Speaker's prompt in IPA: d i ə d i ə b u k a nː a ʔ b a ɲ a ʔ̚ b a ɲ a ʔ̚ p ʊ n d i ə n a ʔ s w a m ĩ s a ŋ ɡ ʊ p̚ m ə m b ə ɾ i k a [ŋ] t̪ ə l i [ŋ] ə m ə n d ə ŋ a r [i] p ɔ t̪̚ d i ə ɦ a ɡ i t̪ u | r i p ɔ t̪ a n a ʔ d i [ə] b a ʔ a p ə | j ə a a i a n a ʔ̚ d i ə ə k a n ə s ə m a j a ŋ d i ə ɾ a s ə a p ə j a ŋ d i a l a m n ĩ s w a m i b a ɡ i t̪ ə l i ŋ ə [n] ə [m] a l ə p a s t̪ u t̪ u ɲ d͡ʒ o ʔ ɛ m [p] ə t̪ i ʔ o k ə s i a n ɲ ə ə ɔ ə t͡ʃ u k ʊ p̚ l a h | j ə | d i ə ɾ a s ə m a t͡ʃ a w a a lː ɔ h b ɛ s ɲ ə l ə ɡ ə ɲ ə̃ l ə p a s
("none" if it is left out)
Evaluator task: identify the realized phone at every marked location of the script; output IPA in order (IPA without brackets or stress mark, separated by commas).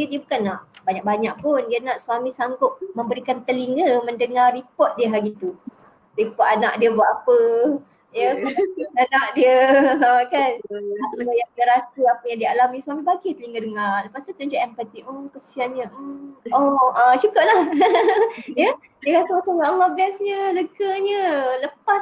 n, ŋ, i, ə, d, ŋ, p